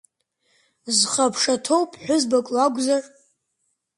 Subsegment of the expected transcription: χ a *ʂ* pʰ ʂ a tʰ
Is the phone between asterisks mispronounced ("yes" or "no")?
yes